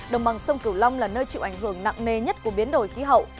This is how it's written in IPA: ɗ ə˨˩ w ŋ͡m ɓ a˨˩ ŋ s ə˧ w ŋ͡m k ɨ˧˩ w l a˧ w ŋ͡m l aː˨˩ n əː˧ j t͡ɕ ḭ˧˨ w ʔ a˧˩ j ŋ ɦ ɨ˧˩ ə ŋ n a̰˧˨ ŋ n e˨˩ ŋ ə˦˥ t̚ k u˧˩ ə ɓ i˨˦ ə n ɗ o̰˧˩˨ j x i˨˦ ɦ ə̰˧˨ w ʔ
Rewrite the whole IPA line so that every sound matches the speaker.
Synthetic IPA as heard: ɗ ə˨˩ w ŋ͡m ɓ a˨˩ ŋ s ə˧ w ŋ͡m k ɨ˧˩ w l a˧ w ŋ͡m l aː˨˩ n əː˧ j t͡ɕ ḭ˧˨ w ʔ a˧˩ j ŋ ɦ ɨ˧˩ ə ŋ n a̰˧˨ ŋ n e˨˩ ɲ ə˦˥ t̚ k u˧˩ ə ɓ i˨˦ ə n ɗ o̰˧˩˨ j x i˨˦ ɦ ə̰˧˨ w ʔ